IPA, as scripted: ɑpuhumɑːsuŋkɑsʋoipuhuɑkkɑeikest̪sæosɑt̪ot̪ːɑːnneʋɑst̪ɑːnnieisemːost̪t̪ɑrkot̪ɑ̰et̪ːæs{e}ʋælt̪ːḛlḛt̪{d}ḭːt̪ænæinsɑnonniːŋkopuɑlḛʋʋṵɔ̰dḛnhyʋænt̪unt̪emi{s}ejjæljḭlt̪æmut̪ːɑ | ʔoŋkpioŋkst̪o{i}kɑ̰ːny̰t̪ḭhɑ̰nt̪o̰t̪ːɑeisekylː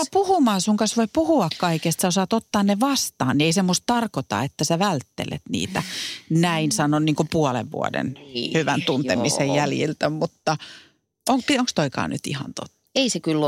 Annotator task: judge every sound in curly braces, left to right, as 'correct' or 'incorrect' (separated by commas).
incorrect, incorrect, correct, correct